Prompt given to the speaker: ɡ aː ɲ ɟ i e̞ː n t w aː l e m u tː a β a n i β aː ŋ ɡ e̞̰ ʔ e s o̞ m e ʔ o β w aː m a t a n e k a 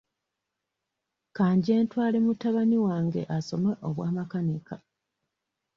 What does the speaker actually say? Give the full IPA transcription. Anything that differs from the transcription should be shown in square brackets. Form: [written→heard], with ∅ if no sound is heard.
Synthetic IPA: [ɡ→k] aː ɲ ɟ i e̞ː n t w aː l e m u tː a β a n i [β→w] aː ŋ ɡ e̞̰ ʔ [e→a] s o̞ m e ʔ o β w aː m a [t→k] a n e k a